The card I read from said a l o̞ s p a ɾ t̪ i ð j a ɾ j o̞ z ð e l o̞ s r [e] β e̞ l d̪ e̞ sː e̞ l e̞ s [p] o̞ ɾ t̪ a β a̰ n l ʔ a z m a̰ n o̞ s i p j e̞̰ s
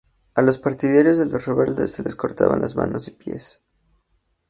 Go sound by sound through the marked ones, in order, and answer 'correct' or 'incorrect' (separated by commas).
correct, incorrect